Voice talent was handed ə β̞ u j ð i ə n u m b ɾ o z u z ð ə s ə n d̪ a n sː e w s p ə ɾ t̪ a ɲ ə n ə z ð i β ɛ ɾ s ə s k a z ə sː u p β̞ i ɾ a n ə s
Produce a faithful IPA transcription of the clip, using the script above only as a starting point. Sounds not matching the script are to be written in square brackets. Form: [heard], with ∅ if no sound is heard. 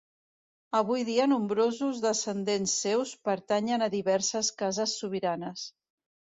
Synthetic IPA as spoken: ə β̞ u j ð i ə n u m b ɾ o z u z ð ə s ə n d̪ [e] n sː e w s p ə ɾ t̪ a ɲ ə n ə [∅] ð i β ɛ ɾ s ə s k a z ə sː u [∅] β̞ i ɾ a n ə s